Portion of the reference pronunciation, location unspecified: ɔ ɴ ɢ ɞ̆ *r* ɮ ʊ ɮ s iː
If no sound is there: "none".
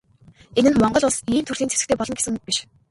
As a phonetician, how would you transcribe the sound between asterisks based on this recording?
none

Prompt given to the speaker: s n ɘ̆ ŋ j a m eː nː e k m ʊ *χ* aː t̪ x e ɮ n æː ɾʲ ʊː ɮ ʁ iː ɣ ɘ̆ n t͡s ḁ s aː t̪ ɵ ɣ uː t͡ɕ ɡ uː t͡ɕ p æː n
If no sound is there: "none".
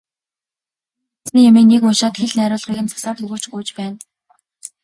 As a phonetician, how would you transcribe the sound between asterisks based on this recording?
ʃ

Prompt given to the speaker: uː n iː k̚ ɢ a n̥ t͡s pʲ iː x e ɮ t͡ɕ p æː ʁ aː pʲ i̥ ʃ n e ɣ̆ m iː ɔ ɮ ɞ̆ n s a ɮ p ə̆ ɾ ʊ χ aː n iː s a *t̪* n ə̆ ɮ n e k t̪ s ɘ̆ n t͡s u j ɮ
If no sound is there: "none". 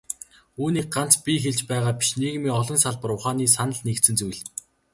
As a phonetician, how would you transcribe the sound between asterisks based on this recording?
none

